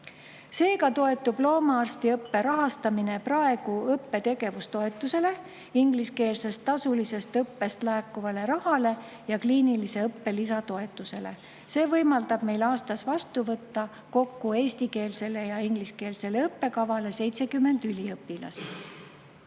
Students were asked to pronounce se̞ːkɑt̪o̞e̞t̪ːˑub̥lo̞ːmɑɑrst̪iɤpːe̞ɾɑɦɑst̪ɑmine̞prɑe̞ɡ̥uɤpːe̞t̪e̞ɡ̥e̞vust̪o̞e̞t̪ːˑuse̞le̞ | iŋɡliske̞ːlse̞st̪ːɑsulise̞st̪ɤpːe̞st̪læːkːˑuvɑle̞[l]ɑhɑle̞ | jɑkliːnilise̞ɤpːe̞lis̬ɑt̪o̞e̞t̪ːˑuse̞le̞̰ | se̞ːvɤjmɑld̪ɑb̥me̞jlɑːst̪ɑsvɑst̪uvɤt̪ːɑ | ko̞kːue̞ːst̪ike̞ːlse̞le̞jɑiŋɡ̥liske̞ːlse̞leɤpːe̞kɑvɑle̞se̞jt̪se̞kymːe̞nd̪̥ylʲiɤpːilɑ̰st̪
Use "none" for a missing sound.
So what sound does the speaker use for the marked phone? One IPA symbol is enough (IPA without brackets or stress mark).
ɾ